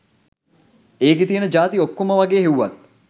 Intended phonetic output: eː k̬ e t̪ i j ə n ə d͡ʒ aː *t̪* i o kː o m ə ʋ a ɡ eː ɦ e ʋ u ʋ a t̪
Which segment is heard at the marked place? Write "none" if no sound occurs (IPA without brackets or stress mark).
t̪